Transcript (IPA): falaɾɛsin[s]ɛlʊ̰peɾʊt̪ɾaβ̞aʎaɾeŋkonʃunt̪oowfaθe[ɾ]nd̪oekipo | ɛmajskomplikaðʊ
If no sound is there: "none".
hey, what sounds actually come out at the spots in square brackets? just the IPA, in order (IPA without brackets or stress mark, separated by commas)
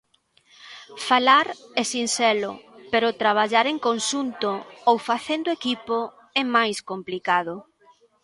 s, none